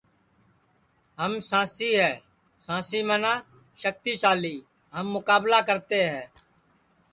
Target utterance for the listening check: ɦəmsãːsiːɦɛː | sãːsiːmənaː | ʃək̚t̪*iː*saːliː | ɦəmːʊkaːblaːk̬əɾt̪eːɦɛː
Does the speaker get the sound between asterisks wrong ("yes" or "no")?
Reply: no